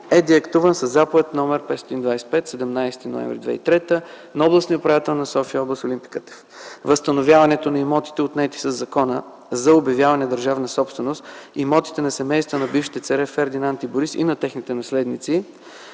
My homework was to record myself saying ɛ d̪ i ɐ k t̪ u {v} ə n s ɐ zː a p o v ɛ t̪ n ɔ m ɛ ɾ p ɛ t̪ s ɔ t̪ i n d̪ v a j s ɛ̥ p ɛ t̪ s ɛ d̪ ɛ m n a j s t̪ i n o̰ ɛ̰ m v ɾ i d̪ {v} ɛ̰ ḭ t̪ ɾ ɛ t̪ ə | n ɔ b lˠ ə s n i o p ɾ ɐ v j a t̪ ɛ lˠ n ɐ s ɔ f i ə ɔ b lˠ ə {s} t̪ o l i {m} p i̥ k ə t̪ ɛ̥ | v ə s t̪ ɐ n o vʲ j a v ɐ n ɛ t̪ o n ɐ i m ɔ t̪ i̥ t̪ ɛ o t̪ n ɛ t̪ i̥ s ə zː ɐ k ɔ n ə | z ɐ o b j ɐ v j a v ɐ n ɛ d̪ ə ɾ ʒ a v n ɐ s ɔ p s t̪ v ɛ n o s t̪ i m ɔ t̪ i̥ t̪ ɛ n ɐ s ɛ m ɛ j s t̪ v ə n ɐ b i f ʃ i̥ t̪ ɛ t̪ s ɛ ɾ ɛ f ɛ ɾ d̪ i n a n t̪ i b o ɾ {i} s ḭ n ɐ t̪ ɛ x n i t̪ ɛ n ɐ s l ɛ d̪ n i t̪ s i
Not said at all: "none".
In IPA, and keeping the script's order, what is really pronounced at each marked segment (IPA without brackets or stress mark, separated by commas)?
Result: v, v, s, m, i